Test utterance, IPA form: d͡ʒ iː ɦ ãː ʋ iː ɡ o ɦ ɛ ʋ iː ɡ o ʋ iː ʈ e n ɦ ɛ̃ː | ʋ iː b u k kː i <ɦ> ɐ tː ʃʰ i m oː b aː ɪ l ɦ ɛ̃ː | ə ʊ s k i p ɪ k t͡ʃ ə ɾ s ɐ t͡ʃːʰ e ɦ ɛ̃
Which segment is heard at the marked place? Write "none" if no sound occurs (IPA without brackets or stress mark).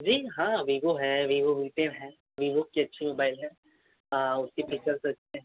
none